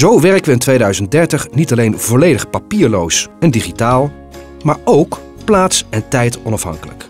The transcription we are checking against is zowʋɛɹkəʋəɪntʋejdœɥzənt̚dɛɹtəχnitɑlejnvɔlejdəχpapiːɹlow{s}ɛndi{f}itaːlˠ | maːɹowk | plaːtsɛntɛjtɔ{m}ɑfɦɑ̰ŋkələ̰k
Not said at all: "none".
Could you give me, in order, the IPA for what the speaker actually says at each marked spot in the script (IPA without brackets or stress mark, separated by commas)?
s, χ, n